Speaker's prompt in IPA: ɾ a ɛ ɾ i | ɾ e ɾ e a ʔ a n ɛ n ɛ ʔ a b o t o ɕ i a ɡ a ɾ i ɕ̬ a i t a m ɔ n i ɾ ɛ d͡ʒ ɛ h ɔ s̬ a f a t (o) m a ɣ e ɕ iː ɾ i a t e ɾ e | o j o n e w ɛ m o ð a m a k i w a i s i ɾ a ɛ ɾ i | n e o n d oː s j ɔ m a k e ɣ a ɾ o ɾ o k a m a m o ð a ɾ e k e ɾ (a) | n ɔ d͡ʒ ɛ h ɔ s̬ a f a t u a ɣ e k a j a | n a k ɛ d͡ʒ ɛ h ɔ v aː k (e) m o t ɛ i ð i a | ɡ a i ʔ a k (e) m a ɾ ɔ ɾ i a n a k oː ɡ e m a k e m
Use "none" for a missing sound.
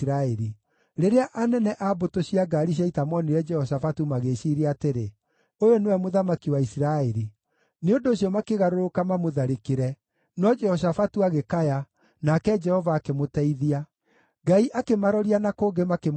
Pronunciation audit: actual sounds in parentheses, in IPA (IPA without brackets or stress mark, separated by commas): u, ɛ, e, e